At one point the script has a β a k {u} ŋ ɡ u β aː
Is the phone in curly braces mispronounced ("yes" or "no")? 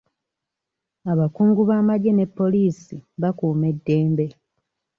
yes